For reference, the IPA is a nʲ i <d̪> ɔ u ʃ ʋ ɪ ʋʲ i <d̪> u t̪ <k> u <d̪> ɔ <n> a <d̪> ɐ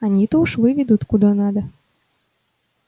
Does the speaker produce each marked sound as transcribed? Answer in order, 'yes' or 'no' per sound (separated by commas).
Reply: no, yes, yes, yes, yes, yes